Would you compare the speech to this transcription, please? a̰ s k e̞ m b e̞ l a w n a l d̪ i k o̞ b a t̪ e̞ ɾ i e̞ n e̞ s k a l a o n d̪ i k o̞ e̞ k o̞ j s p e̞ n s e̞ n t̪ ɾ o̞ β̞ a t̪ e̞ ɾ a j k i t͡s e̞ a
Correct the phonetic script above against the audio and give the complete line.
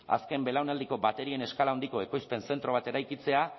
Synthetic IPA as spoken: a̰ s k e̞ m b e̞ l a w n a l d̪ i k o̞ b a t̪ e̞ ɾ i e̞ n e̞ s k a l a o n d̪ i k o̞ e̞ k o̞ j s p e̞ n s e̞ n t̪ ɾ o̞ β̞ a t̪ e̞ ɾ a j k i t͡s e̞ a